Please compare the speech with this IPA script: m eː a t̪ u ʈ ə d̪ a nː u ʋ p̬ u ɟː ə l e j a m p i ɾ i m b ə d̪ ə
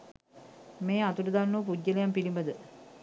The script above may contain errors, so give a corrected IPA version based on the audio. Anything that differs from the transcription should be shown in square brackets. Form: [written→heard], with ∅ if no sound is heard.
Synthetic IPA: m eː a t̪ u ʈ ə d̪ a nː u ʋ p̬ u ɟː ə l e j a m p i [ɾ→l] i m b ə d̪ ə